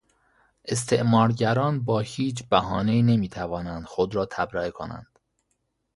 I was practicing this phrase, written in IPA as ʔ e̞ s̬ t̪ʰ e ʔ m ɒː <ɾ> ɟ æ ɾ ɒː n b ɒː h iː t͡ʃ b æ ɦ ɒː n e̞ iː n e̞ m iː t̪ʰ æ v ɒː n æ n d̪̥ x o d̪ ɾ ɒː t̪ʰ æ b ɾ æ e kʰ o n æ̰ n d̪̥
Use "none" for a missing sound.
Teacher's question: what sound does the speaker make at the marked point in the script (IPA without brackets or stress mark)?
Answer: ɾ